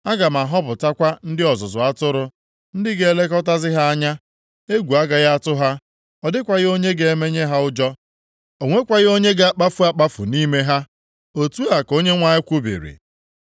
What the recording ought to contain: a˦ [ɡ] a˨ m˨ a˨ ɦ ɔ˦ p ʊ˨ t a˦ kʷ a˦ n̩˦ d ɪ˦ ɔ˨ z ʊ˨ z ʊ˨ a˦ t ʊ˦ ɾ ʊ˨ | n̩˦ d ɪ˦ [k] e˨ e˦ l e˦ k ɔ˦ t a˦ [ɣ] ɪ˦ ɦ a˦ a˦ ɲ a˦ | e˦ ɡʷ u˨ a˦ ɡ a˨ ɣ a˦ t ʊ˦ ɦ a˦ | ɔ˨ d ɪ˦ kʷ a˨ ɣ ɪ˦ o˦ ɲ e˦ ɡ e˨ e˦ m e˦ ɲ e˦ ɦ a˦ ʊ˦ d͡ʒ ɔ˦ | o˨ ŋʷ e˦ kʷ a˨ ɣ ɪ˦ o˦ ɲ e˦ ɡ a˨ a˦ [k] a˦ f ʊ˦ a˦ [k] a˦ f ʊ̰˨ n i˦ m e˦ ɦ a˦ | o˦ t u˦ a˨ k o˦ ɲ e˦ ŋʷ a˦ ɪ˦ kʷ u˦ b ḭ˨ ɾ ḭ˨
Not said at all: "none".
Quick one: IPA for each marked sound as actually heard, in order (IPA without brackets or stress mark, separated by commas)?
ɡ, ɡ, z, k͡p, k͡p